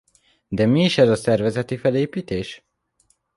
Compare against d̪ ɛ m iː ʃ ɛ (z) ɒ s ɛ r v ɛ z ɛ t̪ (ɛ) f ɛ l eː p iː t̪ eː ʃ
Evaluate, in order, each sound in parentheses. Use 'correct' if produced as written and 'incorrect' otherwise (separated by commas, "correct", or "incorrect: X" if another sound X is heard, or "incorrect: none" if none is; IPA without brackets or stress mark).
correct, incorrect: i